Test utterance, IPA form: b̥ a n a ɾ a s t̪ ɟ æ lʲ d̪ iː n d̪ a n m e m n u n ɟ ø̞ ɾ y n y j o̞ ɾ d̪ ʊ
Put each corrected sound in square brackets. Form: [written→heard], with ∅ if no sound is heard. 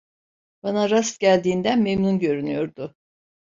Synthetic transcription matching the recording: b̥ a n a ɾ a s t̪ ɟ æ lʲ d̪ iː n d̪ [a→æ] n m e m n u n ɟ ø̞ ɾ y n y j o̞ ɾ d̪ ʊ